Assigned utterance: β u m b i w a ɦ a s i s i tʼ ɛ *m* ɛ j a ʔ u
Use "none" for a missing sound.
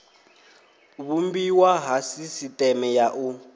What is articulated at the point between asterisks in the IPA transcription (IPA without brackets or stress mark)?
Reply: m